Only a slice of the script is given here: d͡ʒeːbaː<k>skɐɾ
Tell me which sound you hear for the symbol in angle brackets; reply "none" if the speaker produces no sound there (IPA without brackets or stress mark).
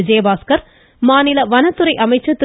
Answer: none